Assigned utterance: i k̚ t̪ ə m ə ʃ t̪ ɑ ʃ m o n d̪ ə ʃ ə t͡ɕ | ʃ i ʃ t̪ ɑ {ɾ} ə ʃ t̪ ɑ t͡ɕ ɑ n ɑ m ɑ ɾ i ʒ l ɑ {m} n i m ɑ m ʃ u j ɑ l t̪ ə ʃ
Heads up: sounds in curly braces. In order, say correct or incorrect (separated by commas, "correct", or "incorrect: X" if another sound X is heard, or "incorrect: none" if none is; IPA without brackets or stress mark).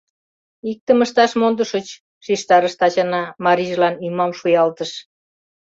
correct, incorrect: none